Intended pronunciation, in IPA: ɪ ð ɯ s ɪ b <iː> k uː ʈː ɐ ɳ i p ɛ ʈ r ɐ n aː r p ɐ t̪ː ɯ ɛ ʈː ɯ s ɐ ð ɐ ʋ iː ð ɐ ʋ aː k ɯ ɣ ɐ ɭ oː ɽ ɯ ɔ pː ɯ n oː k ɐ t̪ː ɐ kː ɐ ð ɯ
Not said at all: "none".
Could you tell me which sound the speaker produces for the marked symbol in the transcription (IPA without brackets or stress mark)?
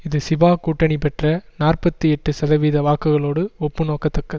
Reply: aː